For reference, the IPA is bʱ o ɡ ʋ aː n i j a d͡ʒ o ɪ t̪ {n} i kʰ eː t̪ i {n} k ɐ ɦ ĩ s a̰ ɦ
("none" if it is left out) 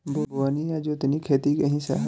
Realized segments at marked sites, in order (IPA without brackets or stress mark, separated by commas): n, none